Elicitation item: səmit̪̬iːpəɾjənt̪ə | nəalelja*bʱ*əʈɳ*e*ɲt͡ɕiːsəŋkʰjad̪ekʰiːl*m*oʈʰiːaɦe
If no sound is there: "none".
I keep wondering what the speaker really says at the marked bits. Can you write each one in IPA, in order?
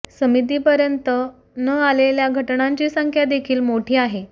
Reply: ɡʱ, a, m

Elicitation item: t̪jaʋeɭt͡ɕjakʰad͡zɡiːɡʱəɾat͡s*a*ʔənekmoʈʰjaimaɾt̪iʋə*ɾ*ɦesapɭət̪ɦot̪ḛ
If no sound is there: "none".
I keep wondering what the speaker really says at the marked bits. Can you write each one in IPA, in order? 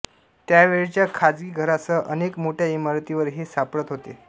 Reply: ə, ɾ

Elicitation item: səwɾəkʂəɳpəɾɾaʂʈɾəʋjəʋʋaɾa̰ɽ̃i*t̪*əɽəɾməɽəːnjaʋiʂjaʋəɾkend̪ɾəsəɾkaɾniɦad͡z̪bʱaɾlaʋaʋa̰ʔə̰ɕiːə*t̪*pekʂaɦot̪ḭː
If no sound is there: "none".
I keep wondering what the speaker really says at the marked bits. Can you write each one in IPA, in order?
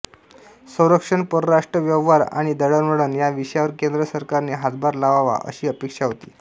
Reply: d̪, none

